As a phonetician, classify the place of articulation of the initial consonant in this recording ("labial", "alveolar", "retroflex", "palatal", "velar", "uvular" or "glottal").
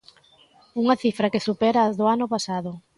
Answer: velar